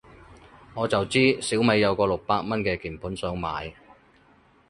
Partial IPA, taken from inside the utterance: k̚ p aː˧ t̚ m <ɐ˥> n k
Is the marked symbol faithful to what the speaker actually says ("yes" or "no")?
yes